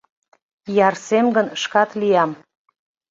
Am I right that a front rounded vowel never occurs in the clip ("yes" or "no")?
yes